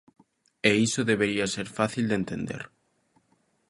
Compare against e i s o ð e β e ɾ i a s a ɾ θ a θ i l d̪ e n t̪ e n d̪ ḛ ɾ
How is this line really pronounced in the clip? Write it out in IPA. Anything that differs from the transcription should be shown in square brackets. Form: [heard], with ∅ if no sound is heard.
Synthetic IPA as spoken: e i s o ð e β e ɾ i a s [e] ɾ [f] a θ i l d̪ e n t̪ e n d̪ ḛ ɾ